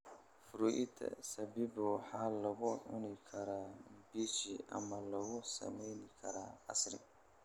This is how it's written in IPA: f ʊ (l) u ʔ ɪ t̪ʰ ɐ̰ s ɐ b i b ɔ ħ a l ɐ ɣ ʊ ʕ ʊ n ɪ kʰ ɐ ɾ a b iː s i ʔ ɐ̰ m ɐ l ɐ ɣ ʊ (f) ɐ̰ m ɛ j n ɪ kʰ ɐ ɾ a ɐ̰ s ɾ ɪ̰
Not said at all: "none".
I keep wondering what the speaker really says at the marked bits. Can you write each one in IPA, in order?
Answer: ɾ, s

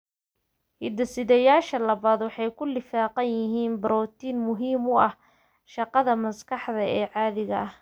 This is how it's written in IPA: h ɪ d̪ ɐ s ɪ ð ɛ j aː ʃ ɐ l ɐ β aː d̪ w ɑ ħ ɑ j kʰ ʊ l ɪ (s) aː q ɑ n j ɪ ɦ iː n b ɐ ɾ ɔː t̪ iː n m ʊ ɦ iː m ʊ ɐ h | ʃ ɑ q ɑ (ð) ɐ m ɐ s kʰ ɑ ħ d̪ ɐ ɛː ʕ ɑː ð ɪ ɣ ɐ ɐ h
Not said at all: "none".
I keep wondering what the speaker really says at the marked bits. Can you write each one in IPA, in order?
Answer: f, ð

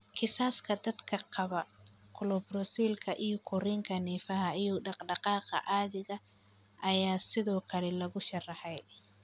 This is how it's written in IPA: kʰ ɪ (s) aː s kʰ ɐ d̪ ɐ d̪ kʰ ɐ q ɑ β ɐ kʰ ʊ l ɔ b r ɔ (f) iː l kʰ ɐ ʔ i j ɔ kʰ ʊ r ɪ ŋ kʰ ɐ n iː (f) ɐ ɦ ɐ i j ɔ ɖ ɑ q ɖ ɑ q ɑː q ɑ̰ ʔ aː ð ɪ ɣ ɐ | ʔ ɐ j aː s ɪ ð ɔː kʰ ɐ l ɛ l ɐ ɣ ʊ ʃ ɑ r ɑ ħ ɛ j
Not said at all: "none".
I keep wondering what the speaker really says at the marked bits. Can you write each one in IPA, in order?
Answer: s, s, f

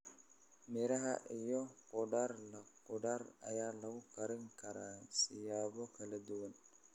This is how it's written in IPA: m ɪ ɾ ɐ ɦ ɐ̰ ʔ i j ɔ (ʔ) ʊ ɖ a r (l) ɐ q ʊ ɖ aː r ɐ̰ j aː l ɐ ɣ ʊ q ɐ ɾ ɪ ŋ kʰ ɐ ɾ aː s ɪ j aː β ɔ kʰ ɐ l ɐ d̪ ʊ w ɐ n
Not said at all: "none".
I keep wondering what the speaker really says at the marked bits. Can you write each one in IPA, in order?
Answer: q, l

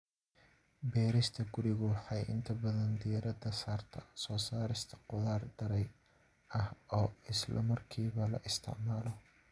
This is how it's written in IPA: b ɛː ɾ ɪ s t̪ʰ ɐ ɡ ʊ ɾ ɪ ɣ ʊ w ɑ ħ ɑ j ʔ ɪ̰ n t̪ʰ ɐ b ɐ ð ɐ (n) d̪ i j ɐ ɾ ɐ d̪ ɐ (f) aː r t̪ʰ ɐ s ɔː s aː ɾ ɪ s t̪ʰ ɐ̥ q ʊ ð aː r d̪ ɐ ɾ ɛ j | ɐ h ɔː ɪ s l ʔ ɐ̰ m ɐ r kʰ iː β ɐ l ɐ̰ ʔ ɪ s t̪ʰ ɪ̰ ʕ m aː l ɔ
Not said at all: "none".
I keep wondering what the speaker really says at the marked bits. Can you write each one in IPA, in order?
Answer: n, s

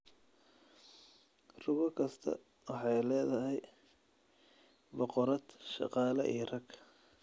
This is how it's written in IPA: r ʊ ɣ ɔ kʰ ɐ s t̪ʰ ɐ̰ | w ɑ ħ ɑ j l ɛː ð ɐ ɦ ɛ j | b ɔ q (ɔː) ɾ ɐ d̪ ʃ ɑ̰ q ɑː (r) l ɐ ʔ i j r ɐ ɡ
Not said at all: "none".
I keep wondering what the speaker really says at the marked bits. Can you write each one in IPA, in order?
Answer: ɔ, none

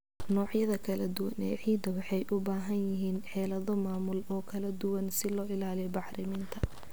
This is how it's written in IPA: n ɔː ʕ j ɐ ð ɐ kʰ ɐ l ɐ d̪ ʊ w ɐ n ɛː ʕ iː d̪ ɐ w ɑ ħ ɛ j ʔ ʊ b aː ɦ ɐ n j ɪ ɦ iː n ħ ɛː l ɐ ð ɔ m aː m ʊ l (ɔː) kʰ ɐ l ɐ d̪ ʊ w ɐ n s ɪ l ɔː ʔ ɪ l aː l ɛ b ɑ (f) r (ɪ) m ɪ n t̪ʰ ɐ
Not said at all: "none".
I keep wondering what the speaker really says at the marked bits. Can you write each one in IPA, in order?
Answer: ɔː, ħ, ɪ

